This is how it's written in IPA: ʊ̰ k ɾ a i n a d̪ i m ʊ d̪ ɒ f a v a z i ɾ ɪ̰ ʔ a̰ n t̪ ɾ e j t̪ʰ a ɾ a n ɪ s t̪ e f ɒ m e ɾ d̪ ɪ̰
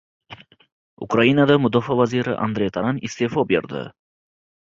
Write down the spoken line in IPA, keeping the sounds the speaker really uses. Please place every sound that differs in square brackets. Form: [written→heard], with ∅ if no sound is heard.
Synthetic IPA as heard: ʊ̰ k ɾ a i n a d̪ [i→a] m ʊ d̪ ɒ f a v a z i ɾ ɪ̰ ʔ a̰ n [t̪→d̪] ɾ e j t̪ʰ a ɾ a n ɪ s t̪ e f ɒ [m→b] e ɾ d̪ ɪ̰